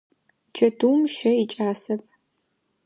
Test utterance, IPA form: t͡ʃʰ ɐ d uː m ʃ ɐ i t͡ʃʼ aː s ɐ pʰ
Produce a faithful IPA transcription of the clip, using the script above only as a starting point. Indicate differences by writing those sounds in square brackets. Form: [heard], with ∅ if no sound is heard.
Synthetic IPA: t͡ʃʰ ɐ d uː m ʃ ɐ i t͡ʃʼ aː s ɐ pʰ